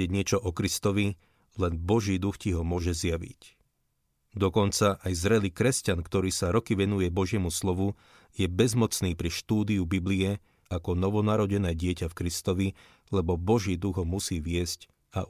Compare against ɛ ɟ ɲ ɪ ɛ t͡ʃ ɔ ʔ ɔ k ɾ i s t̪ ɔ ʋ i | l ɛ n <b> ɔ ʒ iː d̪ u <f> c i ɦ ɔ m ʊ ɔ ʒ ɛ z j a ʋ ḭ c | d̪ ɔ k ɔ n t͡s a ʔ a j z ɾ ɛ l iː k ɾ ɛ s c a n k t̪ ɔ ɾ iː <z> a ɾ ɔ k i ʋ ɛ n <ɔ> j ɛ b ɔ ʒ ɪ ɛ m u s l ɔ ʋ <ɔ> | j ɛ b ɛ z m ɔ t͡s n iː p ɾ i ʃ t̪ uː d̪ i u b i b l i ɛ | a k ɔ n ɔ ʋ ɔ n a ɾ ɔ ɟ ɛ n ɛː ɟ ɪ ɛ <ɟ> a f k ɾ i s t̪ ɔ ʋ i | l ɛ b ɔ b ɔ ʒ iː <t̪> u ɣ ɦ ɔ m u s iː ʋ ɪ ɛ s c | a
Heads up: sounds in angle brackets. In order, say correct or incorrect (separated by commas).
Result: correct, incorrect, incorrect, incorrect, incorrect, incorrect, incorrect